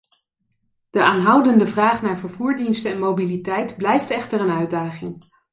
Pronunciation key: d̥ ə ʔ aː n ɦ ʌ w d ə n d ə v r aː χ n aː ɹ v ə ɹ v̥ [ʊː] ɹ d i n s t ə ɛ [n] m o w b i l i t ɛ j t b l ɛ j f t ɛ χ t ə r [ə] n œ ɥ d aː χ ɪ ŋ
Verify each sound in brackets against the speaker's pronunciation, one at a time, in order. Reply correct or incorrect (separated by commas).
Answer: incorrect, correct, correct